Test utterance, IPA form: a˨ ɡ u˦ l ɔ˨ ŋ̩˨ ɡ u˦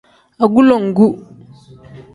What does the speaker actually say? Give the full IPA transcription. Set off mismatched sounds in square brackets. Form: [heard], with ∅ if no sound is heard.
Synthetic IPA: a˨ ɡ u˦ l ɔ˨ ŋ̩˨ ɡ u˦